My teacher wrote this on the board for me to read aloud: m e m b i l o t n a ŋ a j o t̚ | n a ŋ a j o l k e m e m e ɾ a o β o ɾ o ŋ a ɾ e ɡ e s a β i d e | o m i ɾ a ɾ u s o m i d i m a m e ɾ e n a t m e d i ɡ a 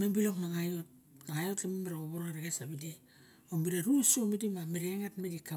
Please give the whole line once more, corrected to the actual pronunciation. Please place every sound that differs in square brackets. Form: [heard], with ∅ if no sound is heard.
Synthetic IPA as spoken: m e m b i l o [k] n a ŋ a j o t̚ | n a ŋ a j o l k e m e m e ɾ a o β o ɾ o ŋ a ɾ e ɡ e s a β i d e | o m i ɾ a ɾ u s o m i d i m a m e ɾ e [ŋ] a t m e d i [k] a

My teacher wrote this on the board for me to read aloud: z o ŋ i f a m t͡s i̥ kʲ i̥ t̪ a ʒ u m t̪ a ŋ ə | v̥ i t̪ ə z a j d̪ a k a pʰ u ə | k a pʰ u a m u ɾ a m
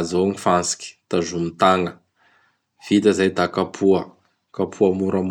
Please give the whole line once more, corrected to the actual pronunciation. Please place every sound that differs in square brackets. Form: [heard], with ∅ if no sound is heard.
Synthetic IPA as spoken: z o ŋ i f a [n] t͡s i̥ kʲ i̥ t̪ a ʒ u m t̪ a ŋ ə | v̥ i t̪ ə z a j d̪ a k a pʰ u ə | k a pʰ u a m u ɾ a m

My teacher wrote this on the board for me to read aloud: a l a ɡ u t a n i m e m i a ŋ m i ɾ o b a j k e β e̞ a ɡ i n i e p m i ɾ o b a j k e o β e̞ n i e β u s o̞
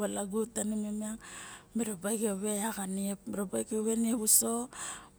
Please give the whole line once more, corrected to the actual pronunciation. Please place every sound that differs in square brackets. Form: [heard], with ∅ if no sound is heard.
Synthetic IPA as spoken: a l a ɡ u t a n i m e m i a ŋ m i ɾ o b a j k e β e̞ a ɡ [a] n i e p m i ɾ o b a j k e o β e̞ n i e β u s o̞

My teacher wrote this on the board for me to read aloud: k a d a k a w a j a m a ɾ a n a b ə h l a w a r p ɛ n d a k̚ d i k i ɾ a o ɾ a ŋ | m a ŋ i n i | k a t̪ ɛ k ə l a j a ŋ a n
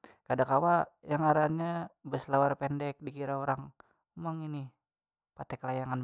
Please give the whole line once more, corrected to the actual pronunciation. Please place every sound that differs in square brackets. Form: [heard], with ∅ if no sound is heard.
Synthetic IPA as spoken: k a d a k a w a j a [ŋ] a ɾ a [ɲ] a b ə [s] l a w a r p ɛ n d [ɛ] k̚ d i k i ɾ a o ɾ a ŋ | m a ŋ i n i | [p] a t̪ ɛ k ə l a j a ŋ a n

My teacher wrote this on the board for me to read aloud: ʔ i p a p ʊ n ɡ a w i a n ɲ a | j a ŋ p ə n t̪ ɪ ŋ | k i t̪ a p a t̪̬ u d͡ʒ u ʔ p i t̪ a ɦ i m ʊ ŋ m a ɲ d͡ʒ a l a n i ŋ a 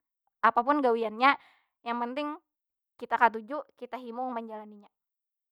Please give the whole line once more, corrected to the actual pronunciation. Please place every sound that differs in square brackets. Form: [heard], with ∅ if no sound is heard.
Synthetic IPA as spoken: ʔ [a] p a p ʊ n ɡ a w i a n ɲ a | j a ŋ p ə n t̪ ɪ ŋ | k i t̪ a [k] a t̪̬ u d͡ʒ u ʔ [k] i t̪ a ɦ i m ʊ ŋ m [ə] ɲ d͡ʒ a l a n i [ɲ] a

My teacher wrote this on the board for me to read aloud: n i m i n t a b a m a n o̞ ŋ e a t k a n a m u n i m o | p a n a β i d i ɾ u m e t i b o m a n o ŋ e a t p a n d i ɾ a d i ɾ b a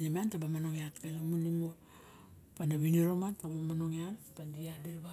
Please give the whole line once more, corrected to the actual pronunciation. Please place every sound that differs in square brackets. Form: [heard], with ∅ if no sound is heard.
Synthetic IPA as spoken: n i m [a] n t a b a m a n o̞ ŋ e a t k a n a m u n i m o | p a n a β i [n] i ɾ [o] m [a] t [a] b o m a n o ŋ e a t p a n d i [∅] a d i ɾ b a

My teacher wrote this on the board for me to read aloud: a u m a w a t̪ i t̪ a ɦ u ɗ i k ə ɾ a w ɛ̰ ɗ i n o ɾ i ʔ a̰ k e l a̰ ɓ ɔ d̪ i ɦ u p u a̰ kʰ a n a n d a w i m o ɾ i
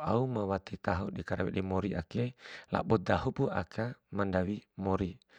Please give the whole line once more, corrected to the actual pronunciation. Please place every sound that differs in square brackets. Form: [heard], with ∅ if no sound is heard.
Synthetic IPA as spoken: a u m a w a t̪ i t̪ a ɦ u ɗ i k [a] ɾ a w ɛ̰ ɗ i [m] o ɾ i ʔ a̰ k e l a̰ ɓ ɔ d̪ [a] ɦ u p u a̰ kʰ a [m] a n d a w i m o ɾ i

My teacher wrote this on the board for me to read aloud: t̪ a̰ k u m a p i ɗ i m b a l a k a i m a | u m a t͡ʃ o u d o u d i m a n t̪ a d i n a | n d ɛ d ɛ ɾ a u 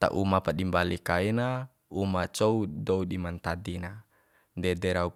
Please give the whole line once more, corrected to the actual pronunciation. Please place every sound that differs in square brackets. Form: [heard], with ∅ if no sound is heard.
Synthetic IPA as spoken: t̪ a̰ [ʔ] u m a p [a] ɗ i m b a l [i] k a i [n] a | u m a t͡ʃ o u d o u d i m a n t̪ a d i n a | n d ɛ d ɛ ɾ a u

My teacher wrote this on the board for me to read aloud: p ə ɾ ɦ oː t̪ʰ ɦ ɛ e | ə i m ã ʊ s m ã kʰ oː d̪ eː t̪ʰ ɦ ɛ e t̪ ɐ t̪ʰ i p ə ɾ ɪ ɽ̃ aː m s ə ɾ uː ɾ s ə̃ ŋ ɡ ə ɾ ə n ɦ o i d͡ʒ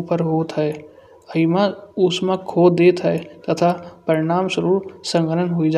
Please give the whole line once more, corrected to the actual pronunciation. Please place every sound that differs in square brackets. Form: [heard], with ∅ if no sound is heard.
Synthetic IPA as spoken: p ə ɾ ɦ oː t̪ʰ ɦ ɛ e | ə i m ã ʊ s m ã kʰ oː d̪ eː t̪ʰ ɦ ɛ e t̪ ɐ t̪ʰ [a] p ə ɾ ɪ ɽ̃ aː m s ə ɾ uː ɾ s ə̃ ŋ ɡ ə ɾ ə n ɦ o i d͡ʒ

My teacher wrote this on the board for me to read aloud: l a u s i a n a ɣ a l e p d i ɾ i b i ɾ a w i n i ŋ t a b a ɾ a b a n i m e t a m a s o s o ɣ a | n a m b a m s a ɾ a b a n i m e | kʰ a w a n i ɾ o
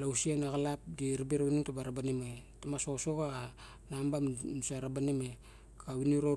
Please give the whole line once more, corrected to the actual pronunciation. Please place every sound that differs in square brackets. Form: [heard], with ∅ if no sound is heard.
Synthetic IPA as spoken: l a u s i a n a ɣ a l [a] p d i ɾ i b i ɾ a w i n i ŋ t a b a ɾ a b a n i m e t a m a s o s o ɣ a | n a m b a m s a ɾ a b a n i m e | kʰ a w [i] n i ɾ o

